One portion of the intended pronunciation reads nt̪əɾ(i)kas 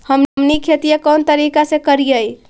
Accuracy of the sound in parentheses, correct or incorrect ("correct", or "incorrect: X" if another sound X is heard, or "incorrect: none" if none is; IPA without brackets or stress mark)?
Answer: correct